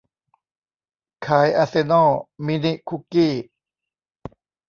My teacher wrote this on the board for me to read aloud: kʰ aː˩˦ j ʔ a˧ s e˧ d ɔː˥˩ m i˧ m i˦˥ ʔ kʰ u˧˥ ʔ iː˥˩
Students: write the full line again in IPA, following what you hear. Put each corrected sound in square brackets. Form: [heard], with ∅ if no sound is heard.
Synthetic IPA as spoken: kʰ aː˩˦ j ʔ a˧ s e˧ [n] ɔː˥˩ m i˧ [n] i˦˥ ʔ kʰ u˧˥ [k] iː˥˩